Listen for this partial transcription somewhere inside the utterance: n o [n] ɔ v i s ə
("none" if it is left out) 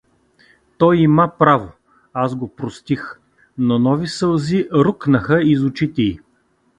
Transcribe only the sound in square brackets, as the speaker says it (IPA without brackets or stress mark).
n